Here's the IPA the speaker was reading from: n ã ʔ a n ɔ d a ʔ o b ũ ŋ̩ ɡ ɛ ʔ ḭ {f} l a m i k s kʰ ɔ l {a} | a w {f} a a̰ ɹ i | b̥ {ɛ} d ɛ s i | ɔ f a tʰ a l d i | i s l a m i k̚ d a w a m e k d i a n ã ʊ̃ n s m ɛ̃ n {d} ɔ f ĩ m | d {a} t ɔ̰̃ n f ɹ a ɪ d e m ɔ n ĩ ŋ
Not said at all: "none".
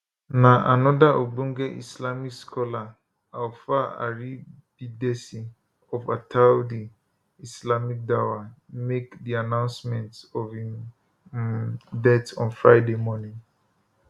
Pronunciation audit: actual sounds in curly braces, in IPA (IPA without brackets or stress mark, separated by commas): s, a, f, i, t, ɛ